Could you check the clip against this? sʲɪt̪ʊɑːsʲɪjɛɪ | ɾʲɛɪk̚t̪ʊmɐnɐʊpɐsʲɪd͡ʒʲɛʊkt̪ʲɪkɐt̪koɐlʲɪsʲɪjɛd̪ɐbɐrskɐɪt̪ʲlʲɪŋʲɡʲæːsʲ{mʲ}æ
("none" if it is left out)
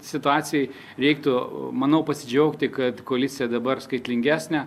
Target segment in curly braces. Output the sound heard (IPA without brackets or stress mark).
nʲ